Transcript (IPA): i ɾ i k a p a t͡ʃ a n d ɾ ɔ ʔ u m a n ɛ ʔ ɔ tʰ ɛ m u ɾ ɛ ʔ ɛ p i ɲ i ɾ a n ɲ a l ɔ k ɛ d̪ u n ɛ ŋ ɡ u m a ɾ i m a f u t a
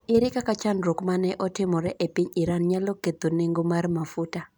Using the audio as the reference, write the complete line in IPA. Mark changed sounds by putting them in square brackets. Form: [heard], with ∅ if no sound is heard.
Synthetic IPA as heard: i ɾ i k a [k] a t͡ʃ a n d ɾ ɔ [k] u m a n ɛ ʔ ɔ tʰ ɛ m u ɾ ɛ ʔ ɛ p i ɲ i ɾ a n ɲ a l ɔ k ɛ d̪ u n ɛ ŋ ɡ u m a ɾ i m a f u t a